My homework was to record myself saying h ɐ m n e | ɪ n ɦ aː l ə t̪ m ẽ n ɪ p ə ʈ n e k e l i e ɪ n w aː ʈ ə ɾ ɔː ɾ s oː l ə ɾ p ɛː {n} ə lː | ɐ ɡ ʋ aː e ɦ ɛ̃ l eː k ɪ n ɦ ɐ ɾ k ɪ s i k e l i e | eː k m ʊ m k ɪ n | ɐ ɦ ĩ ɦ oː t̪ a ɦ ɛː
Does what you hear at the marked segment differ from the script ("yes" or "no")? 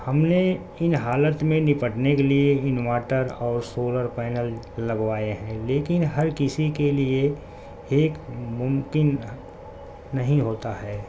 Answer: no